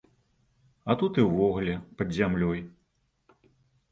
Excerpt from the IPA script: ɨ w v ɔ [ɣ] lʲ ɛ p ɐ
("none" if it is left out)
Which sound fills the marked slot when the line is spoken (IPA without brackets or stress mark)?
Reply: ɣ